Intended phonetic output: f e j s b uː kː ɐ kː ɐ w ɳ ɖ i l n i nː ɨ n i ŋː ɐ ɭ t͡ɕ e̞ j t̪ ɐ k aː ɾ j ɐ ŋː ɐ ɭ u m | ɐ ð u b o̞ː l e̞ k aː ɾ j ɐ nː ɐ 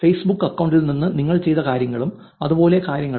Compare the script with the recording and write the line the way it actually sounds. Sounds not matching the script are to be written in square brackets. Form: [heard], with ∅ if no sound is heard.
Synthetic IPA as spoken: f e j s b [u] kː ɐ kː ɐ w ɳ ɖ i l n i nː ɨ n i ŋː ɐ ɭ t͡ɕ e̞ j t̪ ɐ k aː ɾ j ɐ ŋː ɐ ɭ u m | ɐ ð u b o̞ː l e̞ k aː ɾ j ɐ [ŋː] ɐ